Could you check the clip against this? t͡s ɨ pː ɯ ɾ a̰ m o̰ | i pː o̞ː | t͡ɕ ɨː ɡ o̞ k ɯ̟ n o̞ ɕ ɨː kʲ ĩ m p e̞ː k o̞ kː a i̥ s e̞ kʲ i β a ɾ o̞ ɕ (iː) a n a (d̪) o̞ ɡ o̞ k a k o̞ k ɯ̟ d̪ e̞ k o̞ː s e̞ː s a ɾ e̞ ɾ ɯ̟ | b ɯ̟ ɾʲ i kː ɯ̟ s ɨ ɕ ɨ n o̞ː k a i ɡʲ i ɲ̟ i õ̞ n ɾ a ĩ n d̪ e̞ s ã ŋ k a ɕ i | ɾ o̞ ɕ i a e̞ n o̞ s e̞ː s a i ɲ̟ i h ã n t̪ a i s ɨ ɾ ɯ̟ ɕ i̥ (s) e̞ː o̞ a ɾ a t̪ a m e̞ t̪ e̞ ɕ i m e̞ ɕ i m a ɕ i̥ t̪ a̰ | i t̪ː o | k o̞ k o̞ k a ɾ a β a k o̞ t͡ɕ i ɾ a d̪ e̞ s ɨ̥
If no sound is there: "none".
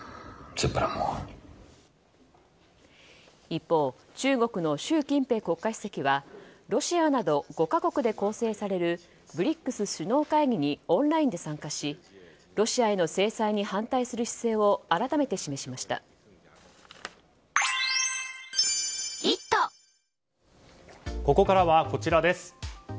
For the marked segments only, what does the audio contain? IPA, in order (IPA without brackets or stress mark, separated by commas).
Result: i, d̪, s